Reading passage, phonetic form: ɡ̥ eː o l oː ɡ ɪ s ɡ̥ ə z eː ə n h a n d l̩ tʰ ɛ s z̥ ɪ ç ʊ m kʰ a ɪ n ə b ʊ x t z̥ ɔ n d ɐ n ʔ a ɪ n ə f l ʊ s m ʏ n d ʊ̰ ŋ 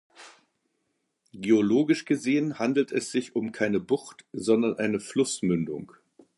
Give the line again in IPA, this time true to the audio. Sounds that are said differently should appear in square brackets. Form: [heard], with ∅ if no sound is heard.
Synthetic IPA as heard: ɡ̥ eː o l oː ɡ ɪ [ʃ] ɡ̥ ə z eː ə n h a n d l̩ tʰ ɛ s z̥ ɪ ç ʊ m kʰ a ɪ n ə b ʊ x t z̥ ɔ n d ɐ n ʔ a ɪ n ə f l ʊ s m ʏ n d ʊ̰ ŋ